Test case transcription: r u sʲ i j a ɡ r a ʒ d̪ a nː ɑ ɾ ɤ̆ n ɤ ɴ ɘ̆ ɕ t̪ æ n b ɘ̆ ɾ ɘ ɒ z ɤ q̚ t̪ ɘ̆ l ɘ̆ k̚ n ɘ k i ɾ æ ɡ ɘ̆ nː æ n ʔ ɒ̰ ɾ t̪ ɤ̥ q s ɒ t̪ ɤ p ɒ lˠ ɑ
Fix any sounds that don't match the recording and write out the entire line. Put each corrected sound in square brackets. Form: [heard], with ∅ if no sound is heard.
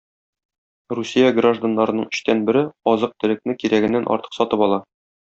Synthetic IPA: r u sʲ i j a ɡ r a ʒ d̪ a nː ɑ ɾ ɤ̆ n ɤ ɴ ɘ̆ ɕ t̪ æ n b ɘ̆ ɾ ɘ ɒ z ɤ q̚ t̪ ɘ̆ l ɘ̆ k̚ n ɘ k i ɾ æ ɡ ɘ̆ nː æ n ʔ ɒ̰ ɾ t̪ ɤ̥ q s ɒ t̪ ɤ p ɒ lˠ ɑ